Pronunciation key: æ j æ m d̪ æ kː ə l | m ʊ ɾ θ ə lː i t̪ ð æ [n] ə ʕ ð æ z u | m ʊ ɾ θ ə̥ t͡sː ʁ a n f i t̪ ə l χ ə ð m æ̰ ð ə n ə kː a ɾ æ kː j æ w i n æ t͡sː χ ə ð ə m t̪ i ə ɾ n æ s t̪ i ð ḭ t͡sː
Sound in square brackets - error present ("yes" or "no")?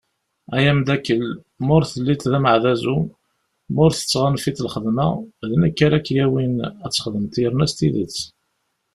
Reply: yes